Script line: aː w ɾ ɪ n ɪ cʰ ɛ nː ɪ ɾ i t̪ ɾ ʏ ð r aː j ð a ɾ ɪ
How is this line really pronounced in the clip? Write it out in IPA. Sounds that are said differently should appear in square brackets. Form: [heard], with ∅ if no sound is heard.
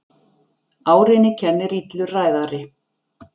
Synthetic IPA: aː w ɾ ɪ n ɪ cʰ ɛ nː ɪ ɾ i t̪ [l] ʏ [∅] r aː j ð a ɾ ɪ